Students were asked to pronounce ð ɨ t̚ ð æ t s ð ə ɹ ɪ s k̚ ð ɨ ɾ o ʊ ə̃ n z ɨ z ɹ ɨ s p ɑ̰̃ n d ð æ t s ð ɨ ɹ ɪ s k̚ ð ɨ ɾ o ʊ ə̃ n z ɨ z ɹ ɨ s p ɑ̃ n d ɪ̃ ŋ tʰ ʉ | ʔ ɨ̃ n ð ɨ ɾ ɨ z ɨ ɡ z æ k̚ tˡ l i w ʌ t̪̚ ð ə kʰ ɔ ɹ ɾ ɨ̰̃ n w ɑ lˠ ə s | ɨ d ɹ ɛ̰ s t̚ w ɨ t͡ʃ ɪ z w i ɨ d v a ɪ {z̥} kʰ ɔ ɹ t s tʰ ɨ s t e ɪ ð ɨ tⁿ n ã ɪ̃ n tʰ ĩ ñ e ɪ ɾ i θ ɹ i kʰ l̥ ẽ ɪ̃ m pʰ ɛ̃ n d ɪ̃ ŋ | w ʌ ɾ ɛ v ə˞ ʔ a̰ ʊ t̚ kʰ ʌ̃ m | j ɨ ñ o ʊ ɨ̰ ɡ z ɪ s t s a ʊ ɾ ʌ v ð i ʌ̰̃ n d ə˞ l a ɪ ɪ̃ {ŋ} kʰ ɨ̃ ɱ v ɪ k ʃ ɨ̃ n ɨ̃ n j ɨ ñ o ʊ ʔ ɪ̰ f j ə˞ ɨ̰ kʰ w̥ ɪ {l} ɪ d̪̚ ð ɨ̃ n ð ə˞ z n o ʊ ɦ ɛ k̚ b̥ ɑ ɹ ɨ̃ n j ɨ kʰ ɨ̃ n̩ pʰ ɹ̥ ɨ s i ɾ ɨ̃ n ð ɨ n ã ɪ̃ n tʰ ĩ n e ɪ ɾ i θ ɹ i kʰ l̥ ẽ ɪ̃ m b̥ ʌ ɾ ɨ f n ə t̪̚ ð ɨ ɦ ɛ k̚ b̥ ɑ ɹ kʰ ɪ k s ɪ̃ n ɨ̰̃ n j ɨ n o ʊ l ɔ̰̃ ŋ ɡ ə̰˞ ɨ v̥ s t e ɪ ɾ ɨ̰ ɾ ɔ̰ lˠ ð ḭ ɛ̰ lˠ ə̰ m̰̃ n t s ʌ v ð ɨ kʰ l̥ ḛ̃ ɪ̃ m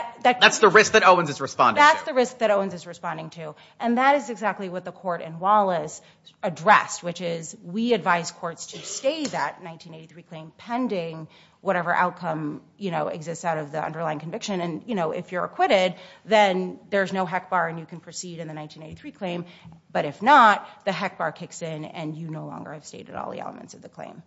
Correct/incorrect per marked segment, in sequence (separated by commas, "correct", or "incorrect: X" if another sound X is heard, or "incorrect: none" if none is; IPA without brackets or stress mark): correct, correct, incorrect: ɾ